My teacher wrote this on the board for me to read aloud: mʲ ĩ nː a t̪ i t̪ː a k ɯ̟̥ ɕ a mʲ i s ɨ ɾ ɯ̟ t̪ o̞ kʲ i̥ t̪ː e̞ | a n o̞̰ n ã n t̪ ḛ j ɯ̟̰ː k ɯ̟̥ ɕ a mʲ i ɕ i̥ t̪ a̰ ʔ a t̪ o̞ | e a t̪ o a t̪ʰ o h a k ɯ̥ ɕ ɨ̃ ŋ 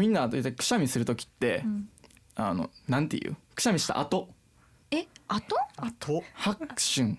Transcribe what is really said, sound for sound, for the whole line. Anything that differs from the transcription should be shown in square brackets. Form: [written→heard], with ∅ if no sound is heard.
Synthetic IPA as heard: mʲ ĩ nː a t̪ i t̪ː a k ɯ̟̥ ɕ a mʲ i s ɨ ɾ ɯ̟ t̪ o̞ kʲ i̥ t̪ː e̞ | a n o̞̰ n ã n t̪ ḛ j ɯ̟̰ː k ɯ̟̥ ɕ a mʲ i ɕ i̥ t̪ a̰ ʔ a t̪ o̞ | e a t̪ o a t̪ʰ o h a k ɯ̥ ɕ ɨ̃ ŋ